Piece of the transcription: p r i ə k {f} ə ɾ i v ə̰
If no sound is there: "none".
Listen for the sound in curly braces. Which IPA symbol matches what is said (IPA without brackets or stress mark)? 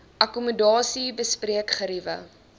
χ